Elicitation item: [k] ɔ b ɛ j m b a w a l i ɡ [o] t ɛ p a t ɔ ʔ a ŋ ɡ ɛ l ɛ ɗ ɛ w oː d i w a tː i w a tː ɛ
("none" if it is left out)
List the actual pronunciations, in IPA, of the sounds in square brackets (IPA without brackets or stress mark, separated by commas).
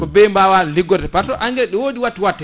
k, ɔ